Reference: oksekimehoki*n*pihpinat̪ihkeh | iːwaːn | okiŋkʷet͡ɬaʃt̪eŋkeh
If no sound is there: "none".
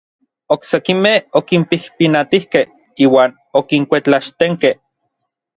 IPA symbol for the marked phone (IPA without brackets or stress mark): m